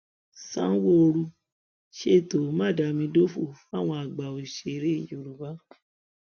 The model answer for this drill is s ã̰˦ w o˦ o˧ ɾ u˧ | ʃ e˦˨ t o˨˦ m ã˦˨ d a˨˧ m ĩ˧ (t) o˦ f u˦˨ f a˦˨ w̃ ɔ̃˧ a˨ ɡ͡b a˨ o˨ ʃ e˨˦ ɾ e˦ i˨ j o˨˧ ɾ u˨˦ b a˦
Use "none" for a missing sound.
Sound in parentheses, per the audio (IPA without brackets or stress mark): d